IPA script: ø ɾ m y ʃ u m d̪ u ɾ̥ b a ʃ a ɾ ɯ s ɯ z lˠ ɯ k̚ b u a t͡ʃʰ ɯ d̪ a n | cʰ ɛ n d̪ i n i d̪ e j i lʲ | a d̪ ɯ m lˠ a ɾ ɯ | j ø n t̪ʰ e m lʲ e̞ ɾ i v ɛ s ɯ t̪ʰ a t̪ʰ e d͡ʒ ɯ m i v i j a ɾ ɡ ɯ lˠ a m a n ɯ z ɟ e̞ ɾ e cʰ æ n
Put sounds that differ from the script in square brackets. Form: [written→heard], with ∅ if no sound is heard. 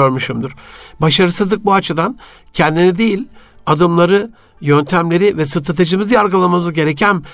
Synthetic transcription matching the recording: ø ɾ m y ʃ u m d̪ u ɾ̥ b a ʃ a ɾ ɯ s ɯ z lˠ ɯ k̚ b u a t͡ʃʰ ɯ d̪ a n | cʰ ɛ n d̪ i n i d̪ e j i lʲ | a d̪ ɯ m lˠ a ɾ ɯ | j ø n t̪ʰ [e→æ] m lʲ e̞ ɾ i v ɛ s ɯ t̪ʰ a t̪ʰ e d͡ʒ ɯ m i [v→z] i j a ɾ ɡ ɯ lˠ a m a [n→m] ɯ z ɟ e̞ ɾ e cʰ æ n